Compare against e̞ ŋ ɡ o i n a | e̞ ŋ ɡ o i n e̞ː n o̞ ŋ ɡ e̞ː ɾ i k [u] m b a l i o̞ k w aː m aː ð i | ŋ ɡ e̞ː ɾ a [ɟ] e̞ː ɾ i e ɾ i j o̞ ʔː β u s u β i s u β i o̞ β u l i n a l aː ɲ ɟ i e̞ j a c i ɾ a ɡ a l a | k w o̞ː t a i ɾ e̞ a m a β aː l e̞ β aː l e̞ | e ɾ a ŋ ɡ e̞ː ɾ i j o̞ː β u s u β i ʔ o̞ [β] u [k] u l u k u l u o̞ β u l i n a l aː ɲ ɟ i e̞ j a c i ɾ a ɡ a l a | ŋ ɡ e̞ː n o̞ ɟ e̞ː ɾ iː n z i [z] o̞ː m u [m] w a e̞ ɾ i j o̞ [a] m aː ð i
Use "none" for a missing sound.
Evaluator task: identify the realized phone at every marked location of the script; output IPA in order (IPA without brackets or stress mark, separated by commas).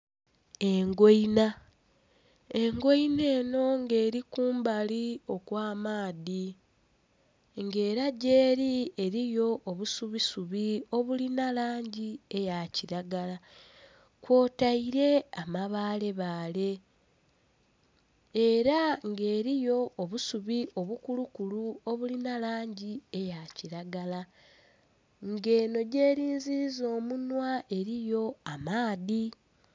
uː, ɟ, β, k, z, n, a